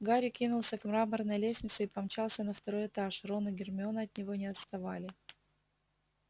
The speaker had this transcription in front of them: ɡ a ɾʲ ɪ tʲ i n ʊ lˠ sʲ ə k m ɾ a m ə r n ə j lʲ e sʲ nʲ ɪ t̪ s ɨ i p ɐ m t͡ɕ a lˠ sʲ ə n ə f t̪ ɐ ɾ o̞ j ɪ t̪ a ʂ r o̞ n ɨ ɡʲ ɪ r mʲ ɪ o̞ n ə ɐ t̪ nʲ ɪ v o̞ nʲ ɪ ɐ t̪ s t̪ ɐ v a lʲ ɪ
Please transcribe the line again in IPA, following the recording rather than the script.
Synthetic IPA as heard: ɡ a ɾʲ ɪ kʲ i n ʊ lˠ sʲ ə k m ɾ a m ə r n ə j lʲ e sʲ nʲ ɪ t̪ s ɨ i p ɐ m t͡ɕ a lˠ sʲ ə n ə f t̪ ɐ ɾ o̞ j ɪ t̪ a ʂ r o̞ n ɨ ɡʲ ɪ r mʲ ɪ o̞ n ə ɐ t̪ nʲ ɪ v o̞ nʲ ɪ ɐ t̪ s t̪ ɐ v a lʲ ɪ